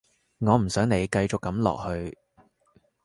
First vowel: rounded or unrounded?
rounded